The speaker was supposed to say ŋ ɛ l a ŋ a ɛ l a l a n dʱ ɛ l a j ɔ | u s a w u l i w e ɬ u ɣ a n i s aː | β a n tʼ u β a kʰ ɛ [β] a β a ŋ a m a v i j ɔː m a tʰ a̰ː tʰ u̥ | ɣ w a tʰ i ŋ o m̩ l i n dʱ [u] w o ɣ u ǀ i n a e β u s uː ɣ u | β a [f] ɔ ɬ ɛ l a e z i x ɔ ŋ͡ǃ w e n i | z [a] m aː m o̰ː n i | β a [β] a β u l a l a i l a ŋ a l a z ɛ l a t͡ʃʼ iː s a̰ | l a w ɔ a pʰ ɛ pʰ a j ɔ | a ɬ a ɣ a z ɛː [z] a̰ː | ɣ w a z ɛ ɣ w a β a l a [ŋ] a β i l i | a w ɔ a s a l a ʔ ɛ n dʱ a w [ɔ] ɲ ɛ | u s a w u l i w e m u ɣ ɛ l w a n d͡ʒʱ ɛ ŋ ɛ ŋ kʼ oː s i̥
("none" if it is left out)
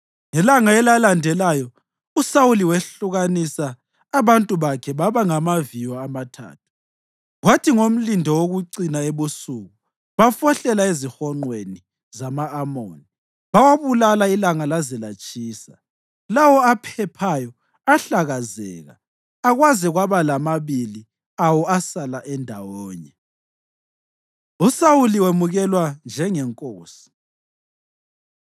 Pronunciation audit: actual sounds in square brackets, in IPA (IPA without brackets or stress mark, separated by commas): β, ɔ, f, a, w, ɣ, m, ɔː